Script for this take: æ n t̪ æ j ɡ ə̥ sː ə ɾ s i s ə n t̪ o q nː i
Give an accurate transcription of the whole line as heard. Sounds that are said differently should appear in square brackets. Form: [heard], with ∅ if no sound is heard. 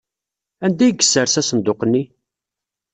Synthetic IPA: æ n [d̪] æ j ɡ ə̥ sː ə ɾ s [æ] s ə n [d̪] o q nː i